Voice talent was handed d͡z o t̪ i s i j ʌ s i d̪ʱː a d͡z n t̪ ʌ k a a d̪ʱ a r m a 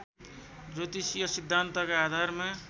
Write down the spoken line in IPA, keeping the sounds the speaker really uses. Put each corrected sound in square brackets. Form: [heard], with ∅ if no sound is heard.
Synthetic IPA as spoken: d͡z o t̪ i s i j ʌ s i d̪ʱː a [∅] n t̪ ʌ k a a d̪ʱ a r m a